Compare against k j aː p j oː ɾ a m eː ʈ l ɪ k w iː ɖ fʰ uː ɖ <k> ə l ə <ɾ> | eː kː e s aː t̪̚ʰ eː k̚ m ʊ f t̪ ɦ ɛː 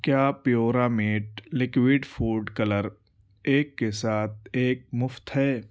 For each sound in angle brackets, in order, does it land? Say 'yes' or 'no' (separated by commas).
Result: yes, yes